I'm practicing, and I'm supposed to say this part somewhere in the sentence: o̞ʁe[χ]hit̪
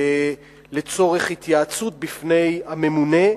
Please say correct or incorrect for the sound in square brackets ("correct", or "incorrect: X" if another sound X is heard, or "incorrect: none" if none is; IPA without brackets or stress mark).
correct